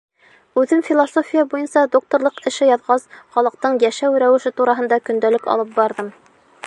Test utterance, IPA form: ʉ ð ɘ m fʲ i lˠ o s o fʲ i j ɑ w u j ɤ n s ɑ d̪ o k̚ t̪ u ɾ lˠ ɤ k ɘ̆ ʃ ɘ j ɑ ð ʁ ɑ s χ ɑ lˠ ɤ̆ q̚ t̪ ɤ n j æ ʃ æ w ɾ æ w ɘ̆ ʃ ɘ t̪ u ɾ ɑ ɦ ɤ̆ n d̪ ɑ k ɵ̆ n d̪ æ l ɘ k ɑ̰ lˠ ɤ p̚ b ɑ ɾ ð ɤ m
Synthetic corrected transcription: ʉ ð ɘ m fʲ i lˠ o s o fʲ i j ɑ b u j ɤ n s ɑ d̪ o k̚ t̪ o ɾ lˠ ɤ q ɘ̆ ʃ ɘ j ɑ ð ʁ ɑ s χ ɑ lˠ ɤ̆ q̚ t̪ ɤ ɴ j æ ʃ æ w ɾ æ w ɘ̆ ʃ ɘ t̪ u ɾ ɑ ɦ ɤ̆ n d̪ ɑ k ɵ̆ n d̪ æ l ɘ k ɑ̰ lˠ ɤ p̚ b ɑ ɾ ð ɤ m